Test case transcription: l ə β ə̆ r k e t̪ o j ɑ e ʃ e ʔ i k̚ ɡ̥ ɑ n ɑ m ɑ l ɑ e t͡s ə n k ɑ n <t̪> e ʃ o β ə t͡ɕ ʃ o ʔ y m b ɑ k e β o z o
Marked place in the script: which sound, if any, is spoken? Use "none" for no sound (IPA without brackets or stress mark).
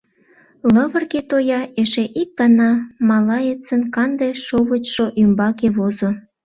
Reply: d̪